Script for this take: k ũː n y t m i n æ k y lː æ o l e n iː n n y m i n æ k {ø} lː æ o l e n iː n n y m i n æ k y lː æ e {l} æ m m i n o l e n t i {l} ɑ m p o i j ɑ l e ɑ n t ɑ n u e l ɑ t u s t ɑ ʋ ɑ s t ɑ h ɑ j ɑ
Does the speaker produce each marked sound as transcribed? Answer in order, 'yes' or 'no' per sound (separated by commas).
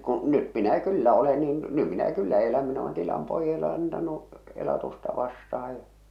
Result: no, yes, yes